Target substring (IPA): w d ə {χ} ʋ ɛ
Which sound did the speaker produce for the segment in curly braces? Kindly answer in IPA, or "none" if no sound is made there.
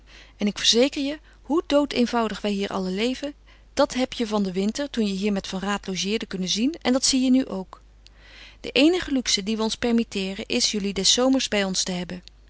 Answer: χ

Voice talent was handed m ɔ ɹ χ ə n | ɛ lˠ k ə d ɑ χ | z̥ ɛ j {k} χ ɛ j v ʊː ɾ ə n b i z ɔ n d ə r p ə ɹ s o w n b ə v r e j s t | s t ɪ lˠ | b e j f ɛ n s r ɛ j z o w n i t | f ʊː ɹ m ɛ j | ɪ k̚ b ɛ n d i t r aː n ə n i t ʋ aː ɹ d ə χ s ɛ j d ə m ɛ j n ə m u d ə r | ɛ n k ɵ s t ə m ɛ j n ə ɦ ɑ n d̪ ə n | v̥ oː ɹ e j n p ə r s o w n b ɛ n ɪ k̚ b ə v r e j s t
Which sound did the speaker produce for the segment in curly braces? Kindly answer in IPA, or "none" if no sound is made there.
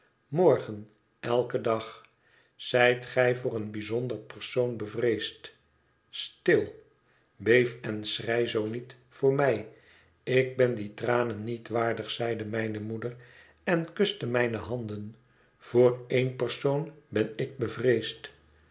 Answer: t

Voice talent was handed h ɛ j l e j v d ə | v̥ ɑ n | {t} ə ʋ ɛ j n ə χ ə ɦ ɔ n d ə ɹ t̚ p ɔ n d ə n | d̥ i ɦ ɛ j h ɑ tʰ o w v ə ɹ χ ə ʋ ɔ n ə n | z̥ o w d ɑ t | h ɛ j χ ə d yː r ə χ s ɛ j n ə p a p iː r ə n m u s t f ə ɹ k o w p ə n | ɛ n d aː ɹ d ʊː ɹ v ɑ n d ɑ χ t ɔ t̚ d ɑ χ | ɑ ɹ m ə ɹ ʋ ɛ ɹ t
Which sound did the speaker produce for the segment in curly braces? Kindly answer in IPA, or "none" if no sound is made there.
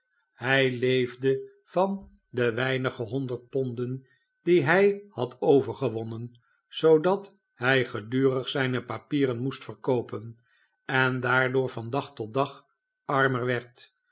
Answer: d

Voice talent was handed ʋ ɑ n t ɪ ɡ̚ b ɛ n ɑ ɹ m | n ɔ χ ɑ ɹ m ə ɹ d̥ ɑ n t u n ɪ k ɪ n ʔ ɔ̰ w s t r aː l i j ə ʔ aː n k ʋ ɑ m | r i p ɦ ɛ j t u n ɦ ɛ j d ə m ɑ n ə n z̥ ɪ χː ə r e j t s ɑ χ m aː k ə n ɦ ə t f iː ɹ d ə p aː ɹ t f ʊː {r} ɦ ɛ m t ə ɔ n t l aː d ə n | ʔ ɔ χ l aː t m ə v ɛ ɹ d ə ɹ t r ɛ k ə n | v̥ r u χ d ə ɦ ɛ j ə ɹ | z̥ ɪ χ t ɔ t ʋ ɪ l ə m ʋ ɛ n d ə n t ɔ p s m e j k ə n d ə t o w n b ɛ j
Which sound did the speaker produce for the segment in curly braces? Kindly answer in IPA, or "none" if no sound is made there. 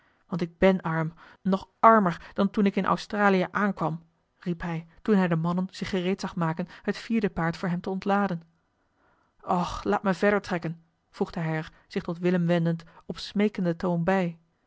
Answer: ɹ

